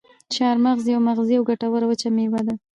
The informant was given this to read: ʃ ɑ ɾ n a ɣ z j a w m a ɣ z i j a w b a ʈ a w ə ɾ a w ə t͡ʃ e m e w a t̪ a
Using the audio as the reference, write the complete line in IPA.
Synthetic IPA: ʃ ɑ ɾ m a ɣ z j a w m a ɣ z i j a w ɡ a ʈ a w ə ɾ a w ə t͡ʃ a m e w a d̪ a